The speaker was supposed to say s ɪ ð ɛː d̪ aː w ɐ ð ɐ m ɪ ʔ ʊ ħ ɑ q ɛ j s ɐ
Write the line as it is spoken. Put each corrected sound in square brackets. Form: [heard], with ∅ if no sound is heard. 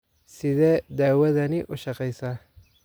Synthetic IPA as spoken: s ɪ ð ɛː d̪ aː w ɐ ð ɐ [n] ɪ ʔ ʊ [ʃ] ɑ q ɛ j s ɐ